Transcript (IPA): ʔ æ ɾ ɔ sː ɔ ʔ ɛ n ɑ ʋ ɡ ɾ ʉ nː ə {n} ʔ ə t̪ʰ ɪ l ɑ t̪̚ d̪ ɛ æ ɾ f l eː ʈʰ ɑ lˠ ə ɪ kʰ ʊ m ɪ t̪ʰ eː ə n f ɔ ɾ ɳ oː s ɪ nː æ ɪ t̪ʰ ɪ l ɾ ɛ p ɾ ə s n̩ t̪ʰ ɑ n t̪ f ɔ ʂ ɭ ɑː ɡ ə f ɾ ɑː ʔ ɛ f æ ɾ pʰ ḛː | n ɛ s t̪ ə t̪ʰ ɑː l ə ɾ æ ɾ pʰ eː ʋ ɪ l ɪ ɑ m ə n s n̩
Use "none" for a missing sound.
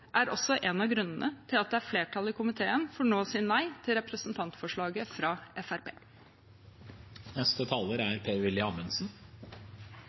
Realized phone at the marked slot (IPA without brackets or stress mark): n